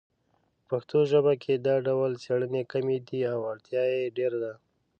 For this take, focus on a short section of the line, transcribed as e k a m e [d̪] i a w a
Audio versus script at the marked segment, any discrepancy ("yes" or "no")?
no